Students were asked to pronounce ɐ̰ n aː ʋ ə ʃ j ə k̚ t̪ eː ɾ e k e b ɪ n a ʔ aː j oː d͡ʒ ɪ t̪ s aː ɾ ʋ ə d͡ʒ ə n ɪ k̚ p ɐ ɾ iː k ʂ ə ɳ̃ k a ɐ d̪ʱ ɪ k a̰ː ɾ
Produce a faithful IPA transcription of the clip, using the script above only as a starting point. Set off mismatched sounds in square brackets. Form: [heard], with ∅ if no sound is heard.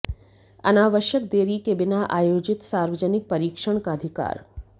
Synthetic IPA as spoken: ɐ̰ n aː ʋ ə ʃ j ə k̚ [d̪] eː ɾ [i] k e b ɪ n a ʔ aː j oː d͡ʒ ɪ t̪ s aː ɾ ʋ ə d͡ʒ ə n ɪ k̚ p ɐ ɾ iː k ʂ ə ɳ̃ k a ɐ d̪ʱ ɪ k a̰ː ɾ